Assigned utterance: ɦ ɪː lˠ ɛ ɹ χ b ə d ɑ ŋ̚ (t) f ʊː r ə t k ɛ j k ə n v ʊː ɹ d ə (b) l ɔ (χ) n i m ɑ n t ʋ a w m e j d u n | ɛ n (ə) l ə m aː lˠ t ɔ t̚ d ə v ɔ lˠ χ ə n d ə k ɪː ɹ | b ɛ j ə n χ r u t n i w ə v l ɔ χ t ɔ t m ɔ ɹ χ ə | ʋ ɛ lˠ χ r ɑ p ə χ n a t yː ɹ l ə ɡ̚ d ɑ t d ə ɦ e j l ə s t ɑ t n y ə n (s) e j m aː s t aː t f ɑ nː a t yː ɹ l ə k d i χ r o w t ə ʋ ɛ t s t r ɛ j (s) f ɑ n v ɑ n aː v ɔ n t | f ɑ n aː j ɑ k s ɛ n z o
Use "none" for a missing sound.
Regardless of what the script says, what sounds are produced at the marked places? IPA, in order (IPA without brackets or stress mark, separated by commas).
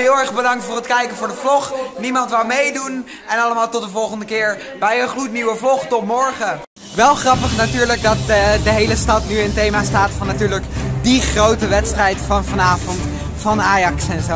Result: t, v, χ, ɑ, t, t